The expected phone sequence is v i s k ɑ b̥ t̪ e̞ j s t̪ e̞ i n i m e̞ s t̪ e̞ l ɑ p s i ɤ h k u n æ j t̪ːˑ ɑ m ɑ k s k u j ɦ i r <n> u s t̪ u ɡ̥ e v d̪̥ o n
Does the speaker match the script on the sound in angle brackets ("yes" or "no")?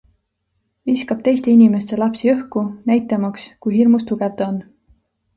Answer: no